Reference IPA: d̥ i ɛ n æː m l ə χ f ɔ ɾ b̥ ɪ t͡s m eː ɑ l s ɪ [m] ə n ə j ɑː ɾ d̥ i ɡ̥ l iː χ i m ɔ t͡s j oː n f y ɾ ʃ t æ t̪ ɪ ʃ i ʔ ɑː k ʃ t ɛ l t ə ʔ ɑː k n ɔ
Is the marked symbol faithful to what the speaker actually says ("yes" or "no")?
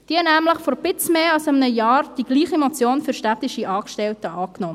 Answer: yes